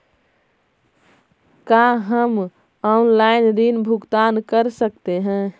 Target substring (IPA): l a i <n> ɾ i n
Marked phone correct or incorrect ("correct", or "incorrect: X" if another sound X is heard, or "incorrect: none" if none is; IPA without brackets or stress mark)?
correct